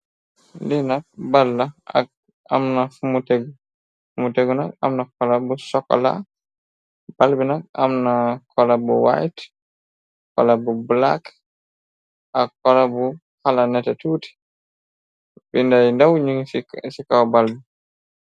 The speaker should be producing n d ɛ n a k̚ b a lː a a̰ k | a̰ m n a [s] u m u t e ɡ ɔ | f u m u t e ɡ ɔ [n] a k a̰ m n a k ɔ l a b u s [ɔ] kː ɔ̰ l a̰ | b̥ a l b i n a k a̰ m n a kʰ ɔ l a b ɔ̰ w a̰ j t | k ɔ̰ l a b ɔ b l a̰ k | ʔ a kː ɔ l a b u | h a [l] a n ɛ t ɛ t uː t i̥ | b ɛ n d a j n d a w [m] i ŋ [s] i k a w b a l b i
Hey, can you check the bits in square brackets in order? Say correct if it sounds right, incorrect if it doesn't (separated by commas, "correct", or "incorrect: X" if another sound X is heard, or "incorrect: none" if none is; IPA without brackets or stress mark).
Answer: incorrect: f, correct, correct, correct, incorrect: ɲ, correct